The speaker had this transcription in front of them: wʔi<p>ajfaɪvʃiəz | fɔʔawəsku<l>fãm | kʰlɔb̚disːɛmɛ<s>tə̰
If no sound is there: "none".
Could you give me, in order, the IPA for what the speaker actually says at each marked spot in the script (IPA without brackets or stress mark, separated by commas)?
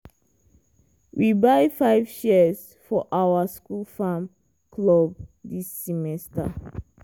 b, l, s